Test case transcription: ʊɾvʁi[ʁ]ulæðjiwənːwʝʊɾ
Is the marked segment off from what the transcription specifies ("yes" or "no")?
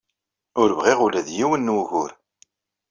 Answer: no